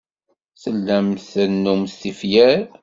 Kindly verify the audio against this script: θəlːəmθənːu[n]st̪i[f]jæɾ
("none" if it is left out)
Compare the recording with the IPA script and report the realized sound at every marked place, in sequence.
m, f

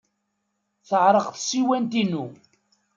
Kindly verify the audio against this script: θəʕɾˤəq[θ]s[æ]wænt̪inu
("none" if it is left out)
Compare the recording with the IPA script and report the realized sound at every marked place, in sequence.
θ, i

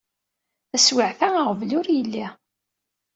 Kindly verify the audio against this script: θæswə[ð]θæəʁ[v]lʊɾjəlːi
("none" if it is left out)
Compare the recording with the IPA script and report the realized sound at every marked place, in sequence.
ʕ, v

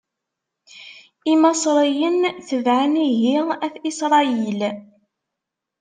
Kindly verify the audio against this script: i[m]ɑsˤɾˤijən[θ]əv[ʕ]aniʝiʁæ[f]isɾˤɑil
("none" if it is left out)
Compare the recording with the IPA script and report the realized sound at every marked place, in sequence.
m, θ, ʕ, θ

